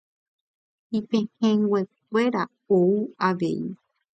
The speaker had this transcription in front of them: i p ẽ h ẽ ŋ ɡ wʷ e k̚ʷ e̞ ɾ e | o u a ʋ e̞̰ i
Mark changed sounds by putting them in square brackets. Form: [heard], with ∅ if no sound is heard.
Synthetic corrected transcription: i p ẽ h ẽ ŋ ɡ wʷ e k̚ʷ e̞ ɾ [a] | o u a ʋ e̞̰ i

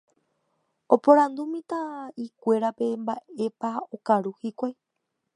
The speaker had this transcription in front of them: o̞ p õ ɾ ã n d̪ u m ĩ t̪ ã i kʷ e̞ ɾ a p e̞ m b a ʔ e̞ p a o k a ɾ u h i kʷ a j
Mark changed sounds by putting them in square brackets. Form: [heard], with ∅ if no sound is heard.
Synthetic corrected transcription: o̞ p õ ɾ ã n d̪ u m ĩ t̪ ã i kʷ e̞ ɾ a p e̞ m b a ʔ e̞ p a o k a ɾ u h i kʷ a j

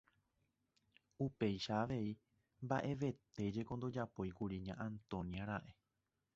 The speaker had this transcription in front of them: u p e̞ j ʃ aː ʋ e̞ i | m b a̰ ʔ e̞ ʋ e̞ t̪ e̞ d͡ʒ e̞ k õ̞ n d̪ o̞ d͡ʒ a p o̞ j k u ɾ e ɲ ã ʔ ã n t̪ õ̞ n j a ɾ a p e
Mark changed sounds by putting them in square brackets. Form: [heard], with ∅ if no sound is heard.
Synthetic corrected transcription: u p e̞ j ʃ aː ʋ e̞ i | m b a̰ ʔ e̞ ʋ e̞ t̪ e̞ d͡ʒ e̞ k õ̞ n d̪ o̞ d͡ʒ a p o̞ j k u ɾ [i] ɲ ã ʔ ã n t̪ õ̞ n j a ɾ a [ʔ] e

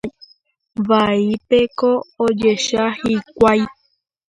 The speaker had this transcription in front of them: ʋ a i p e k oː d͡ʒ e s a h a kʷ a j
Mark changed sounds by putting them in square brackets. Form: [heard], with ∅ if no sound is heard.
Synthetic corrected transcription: ʋ a i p e k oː d͡ʒ e [ʃ] a h [i] kʷ a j

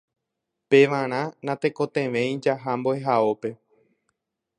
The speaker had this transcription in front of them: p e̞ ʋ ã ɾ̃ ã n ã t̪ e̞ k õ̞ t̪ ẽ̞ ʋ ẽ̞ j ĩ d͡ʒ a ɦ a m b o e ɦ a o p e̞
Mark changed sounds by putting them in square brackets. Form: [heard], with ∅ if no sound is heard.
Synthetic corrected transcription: p e̞ ʋ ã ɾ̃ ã n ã t̪ e̞ k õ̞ t̪ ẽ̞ ʋ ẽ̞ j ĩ d͡ʒ a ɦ a m b o e ɦ a o p e̞

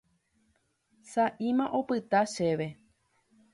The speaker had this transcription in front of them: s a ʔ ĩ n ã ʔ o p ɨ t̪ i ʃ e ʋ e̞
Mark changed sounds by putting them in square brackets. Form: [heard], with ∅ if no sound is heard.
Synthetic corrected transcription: s a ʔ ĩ [m] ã ʔ o p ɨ t̪ [a] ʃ e ʋ e̞

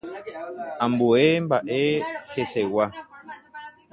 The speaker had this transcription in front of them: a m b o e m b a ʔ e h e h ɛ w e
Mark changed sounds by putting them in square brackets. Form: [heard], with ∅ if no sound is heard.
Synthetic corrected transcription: a m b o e m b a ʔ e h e [s] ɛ w [a]

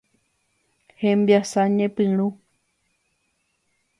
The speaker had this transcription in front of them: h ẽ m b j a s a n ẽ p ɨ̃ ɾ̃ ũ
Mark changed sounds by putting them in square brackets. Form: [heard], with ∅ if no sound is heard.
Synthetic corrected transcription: h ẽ m b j a s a [ɲ] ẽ p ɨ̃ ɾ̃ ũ

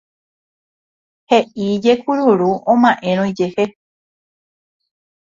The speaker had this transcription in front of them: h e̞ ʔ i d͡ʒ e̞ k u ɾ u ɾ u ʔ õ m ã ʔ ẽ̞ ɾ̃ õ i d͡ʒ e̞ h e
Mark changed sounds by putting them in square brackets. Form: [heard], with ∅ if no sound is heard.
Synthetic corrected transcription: h e̞ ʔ i d͡ʒ e̞ k u ɾ u ɾ u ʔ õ m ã ʔ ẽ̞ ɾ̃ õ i d͡ʒ e̞ h e

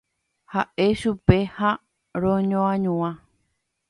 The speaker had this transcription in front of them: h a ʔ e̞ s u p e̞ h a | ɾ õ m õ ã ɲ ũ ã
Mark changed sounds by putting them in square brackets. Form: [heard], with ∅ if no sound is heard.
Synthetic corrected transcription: h a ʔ e̞ [ʃ] u p e̞ h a | ɾ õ [ɲ] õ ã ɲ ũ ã

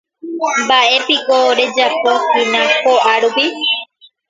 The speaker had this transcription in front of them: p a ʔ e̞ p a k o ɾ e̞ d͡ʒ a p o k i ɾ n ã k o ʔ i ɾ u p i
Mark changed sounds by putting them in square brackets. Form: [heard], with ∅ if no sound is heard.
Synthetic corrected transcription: [b] a ʔ e̞ p [i] k o ɾ e̞ d͡ʒ a p o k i [∅] n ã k o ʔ [a] ɾ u p i

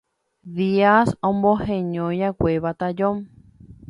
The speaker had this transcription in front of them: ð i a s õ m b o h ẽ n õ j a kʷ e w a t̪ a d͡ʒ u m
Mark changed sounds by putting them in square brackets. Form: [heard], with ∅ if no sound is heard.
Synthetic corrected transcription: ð i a s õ m b o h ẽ [ɲ] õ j a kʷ e [β] a t̪ a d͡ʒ [o] m

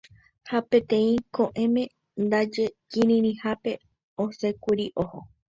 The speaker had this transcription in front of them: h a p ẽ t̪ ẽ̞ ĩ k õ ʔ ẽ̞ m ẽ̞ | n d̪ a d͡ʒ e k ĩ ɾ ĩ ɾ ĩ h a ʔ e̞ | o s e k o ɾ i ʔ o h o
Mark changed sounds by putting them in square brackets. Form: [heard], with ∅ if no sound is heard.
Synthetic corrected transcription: h a p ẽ t̪ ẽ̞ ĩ k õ ʔ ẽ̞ m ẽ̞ | n d̪ a d͡ʒ e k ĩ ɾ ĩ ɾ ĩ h a [p] e̞ | o s e k [u] ɾ i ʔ o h o

